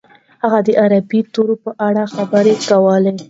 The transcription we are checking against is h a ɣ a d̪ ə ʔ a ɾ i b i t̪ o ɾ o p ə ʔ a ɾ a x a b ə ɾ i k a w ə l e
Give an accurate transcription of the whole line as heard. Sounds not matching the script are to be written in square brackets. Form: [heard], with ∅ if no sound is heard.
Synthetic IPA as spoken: h a ɣ a d̪ ə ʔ a ɾ [a] b i t̪ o ɾ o p ə ʔ a [ɽ] a x a b ə ɾ [e] k a w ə l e

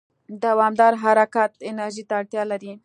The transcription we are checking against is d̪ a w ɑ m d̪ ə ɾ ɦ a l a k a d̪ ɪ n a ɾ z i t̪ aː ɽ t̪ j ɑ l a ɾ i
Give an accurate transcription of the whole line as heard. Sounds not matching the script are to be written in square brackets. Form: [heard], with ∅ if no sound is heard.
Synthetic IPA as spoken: d̪ a w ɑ m d̪ [ɑ] ɾ ɦ a [ɾ] a k a [t̪] ɪ n a ɾ [ʒ] i t̪ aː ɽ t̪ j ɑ l a ɾ i

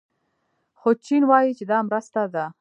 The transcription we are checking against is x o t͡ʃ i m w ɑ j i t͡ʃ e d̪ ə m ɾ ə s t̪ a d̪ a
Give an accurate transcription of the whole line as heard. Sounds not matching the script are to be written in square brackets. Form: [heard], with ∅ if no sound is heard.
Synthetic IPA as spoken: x o t͡ʃ i [n] w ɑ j i t͡ʃ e d̪ [ɑ] m ɾ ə s t̪ a d̪ a

